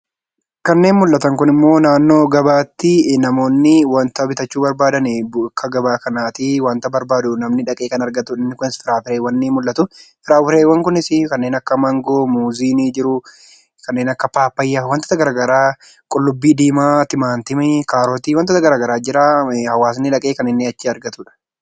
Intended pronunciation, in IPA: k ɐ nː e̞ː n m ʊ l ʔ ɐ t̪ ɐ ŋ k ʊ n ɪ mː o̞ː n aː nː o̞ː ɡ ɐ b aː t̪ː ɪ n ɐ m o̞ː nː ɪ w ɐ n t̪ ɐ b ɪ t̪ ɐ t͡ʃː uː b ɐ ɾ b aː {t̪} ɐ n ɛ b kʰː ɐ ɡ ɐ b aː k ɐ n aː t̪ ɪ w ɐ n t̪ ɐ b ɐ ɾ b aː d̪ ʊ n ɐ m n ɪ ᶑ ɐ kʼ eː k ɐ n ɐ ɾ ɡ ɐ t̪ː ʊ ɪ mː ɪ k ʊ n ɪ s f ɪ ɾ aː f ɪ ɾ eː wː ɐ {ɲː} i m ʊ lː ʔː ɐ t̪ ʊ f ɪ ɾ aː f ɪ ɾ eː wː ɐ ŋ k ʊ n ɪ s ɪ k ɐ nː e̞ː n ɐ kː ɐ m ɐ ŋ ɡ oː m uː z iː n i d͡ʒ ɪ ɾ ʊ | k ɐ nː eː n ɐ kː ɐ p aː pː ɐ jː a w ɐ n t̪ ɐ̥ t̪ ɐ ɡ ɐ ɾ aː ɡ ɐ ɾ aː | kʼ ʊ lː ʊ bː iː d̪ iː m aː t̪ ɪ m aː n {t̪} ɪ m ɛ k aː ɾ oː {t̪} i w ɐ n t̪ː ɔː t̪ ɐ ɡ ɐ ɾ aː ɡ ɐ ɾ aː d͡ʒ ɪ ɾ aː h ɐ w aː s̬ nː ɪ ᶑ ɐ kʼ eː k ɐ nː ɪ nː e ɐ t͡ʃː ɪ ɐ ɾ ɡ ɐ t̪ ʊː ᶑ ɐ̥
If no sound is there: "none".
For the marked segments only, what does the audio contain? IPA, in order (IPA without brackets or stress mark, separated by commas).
d̪, nː, t̪, t̪